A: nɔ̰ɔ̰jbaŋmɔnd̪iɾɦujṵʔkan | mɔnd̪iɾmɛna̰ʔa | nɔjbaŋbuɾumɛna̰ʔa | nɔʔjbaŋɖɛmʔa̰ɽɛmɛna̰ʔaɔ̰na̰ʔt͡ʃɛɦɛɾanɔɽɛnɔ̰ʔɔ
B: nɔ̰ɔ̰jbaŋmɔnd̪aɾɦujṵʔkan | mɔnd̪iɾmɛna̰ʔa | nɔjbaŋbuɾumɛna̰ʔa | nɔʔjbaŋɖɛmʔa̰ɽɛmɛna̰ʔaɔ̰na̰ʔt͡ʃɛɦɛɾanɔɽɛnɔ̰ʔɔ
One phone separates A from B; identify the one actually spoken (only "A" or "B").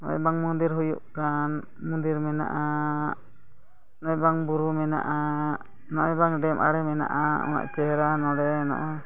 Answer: A